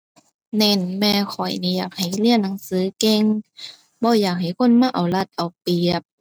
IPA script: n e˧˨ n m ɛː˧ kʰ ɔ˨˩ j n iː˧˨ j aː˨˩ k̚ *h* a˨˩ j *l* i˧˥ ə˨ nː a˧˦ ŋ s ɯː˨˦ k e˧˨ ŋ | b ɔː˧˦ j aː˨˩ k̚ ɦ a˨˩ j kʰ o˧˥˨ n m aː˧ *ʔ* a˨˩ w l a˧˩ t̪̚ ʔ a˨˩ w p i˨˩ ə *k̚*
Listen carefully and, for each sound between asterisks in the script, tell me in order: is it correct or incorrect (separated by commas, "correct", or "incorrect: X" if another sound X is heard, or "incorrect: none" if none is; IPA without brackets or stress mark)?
correct, correct, correct, incorrect: p̚